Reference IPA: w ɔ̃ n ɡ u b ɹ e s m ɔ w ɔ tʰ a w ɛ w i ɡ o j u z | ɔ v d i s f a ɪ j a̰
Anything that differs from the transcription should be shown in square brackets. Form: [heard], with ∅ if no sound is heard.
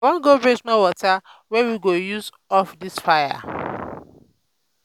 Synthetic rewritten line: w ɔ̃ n ɡ [o] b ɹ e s m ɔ w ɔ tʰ a w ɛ w i ɡ o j u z | ɔ [f] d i s f a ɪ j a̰